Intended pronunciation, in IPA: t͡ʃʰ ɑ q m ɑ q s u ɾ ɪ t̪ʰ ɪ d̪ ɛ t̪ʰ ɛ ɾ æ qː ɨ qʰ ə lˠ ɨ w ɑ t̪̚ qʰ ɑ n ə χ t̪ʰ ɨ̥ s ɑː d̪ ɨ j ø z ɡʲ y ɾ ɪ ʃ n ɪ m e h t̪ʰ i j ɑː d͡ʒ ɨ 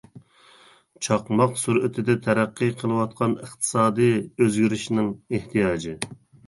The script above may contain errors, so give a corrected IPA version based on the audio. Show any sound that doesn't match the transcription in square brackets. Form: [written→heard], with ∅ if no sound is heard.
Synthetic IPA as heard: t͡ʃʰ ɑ q m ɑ q s u ɾ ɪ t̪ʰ ɪ d̪ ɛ t̪ʰ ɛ ɾ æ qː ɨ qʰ ə lˠ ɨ w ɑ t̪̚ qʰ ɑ n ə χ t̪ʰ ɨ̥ s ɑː d̪ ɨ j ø z ɡʲ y ɾ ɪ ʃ n ɪ [m→ŋ] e h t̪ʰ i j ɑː d͡ʒ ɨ